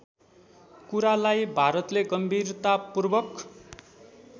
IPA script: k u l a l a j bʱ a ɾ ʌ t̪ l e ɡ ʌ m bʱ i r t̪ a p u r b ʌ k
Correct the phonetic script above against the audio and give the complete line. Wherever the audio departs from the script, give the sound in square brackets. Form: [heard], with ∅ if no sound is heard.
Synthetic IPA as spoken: k u [ɾ] a l a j bʱ a ɾ ʌ t̪ l e ɡ ʌ m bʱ i r t̪ a p u r b ʌ k